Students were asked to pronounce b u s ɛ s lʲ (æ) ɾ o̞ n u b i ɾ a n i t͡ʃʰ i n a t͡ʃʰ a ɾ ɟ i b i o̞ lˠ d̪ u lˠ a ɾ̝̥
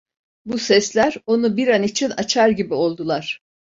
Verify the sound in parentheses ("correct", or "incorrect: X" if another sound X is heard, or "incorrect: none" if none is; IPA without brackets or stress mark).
correct